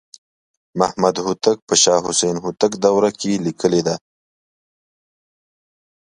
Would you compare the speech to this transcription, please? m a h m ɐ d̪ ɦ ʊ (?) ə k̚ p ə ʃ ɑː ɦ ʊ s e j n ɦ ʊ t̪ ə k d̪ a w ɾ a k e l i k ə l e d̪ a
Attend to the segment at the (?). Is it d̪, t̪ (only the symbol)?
t̪